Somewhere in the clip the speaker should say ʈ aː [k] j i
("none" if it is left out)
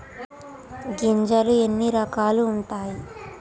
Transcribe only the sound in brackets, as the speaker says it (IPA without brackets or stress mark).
none